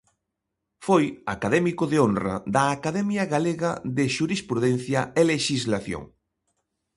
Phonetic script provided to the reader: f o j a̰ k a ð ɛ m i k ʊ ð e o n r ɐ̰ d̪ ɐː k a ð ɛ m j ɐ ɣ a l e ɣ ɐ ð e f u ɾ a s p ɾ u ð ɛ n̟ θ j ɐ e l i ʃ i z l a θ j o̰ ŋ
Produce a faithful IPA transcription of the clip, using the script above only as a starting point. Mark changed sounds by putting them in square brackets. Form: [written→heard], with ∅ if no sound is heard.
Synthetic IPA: f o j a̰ k a ð ɛ m i k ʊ ð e o n r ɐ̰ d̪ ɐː k a ð ɛ m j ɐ ɣ a l e ɣ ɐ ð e [f→ʃ] u ɾ [a→i] s p ɾ u ð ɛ n̟ θ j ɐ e l [i→e] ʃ i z l a θ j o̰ ŋ